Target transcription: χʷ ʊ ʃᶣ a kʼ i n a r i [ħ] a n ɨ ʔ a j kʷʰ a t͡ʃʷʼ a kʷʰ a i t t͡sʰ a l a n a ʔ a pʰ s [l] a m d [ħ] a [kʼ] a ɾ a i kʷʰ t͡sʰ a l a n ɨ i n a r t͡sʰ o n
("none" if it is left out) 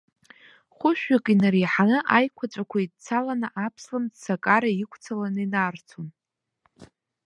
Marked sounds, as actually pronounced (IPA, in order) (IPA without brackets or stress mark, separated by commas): ħ, l, s, kʼ